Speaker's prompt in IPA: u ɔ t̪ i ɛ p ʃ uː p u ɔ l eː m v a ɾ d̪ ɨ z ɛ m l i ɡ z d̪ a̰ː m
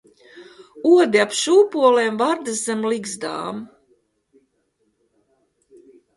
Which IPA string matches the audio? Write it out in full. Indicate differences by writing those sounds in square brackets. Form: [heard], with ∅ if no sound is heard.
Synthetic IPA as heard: u ɔ [d̪] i [a] p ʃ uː p u ɔ l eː m v a ɾ d̪ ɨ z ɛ m l i ɡ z d̪ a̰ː m